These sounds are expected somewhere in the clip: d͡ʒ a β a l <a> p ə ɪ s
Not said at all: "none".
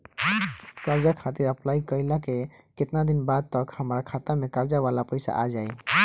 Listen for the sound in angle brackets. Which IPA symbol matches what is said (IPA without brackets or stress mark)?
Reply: a